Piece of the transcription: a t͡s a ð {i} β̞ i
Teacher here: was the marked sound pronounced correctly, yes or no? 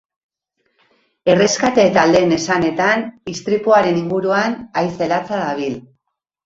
no